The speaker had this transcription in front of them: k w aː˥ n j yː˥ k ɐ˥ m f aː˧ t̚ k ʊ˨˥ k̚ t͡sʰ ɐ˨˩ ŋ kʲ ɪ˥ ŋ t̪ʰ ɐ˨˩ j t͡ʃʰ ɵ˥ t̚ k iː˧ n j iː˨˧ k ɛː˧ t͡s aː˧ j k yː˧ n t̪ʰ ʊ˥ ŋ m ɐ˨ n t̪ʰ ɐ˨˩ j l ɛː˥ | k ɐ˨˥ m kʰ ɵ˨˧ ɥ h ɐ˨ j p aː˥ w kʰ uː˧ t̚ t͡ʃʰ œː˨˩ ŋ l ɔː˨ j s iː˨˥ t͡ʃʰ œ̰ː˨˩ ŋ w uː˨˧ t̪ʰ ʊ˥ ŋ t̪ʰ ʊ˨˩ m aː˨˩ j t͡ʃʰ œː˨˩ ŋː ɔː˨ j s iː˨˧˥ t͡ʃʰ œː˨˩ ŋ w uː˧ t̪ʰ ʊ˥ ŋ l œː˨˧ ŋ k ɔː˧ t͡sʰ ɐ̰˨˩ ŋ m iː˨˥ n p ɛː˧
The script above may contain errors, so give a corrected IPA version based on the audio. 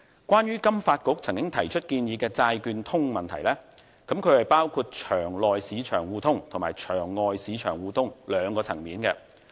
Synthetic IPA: k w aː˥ n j yː˥ k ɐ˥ m f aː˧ t̚ k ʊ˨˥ k̚ t͡sʰ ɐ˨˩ ŋ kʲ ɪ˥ ŋ t̪ʰ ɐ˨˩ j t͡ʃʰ ɵ˥ t̚ k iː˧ n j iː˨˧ k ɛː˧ t͡s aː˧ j k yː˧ n t̪ʰ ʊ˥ ŋ m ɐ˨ n t̪ʰ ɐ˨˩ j l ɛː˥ | k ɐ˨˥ m kʰ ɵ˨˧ ɥ h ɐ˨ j p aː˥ w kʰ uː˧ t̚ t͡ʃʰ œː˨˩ ŋ l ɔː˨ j s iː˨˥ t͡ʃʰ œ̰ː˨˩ ŋ w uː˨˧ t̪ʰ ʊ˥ ŋ t̪ʰ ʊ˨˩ m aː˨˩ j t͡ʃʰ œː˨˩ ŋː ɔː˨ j s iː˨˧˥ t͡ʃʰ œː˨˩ ŋ w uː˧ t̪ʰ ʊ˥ ŋ l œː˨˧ ŋ k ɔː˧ t͡sʰ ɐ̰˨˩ ŋ m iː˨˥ n k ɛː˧